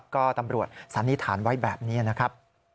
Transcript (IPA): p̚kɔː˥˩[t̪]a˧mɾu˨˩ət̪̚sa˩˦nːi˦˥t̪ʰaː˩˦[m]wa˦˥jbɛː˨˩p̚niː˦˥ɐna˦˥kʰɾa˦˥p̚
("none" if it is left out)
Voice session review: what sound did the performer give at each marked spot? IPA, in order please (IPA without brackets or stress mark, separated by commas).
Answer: t̪, n